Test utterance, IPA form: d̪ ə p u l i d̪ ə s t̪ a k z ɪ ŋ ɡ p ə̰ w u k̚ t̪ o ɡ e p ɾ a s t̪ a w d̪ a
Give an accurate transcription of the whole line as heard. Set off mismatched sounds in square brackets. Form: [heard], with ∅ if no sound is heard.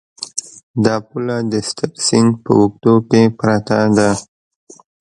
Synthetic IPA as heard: d̪ [ɑ] p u l [a] d̪ ə s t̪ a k [s] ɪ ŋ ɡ p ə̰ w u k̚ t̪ o [k] e p ɾ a [∅] t̪ a [∅] d̪ a

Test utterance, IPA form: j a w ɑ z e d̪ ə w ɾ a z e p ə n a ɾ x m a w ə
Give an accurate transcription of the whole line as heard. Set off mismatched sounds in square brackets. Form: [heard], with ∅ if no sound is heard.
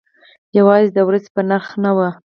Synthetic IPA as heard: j a w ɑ z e d̪ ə w ɾ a z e p ə n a ɾ x [n] a w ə

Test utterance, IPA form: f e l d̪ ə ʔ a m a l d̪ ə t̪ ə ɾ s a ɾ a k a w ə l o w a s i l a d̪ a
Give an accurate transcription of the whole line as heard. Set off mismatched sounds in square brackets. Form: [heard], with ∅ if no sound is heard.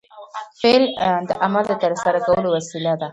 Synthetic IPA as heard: f e l d̪ ə ʔ a m a l d̪ ə t̪ ə ɾ s a ɾ a k a w ə l o w a s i l a d̪ a

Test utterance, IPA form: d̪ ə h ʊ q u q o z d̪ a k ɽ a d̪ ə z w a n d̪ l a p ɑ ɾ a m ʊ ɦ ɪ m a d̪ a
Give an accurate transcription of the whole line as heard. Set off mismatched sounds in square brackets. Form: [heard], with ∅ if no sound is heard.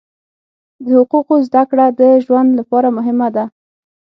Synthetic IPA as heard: d̪ ə h ʊ q u q o z d̪ a k ɽ a d̪ ə [ʒ] w a n d̪ l a p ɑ ɾ a m ʊ ɦ ɪ m a d̪ a

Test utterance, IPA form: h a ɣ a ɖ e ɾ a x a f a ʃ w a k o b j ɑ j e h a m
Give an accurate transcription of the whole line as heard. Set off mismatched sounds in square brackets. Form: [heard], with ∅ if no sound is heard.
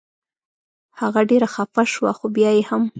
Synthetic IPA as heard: h a ɣ a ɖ e ɾ a x a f a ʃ w a [x] o b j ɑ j e h a m

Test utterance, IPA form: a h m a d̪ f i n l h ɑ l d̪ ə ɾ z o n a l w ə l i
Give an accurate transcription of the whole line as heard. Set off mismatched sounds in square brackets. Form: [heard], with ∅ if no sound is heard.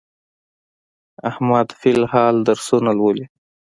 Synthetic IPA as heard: a h m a d̪ f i [∅] l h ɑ l d̪ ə ɾ [s] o n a l w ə l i

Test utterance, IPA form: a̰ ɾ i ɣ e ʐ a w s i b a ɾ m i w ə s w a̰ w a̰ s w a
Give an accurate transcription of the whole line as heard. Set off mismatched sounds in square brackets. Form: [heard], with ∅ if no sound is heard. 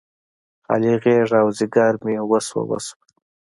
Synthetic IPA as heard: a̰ [l] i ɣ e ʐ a w [z] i [ɡ] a ɾ m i w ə s w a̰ w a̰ s w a

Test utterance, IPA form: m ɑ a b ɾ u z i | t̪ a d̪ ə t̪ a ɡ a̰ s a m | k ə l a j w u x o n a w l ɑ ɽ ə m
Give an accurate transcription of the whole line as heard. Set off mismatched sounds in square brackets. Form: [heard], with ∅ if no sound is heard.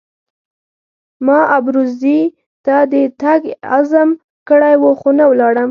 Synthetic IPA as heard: m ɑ a b ɾ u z i | t̪ a d̪ ə t̪ a ɡ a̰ [z] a m | k ə [ɽ] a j w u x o n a w l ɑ ɽ ə m

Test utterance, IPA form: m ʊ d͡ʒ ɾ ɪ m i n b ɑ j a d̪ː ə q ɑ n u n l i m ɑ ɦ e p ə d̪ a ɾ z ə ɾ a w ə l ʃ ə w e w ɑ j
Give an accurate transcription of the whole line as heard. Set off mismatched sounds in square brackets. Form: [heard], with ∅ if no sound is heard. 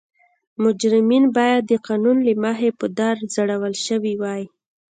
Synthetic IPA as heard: m ʊ d͡ʒ ɾ ɪ m i n b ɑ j a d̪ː ə q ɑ n u n l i m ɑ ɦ e p ə d̪ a ɾ z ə [ɽ] a w ə l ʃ ə w [i] w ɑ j

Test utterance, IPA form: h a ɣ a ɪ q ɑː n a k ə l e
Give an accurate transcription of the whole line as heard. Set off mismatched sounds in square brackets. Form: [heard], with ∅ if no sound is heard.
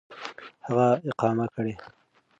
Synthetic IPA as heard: h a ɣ a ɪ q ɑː [m] a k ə [ɽ] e

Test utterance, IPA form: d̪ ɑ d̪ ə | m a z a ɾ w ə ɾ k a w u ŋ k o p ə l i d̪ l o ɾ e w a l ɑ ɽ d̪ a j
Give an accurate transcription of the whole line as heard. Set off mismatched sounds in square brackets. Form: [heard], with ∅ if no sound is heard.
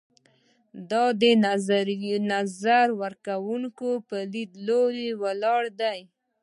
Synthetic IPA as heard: d̪ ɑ d̪ ə | [n] a z a ɾ w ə ɾ k a w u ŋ k o p ə l i d̪ l o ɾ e w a l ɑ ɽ d̪ a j

